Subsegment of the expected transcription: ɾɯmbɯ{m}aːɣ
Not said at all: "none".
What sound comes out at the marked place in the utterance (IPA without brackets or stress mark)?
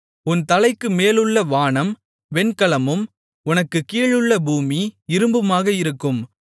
m